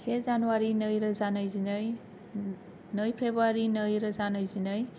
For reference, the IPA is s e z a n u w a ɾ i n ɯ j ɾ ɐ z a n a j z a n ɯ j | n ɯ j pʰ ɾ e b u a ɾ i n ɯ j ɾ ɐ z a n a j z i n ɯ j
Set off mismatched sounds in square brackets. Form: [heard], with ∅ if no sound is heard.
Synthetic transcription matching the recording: s e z a n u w a ɾ i n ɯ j ɾ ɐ z a n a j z [i] n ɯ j | n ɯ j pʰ ɾ e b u a ɾ i n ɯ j ɾ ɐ z a n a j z i n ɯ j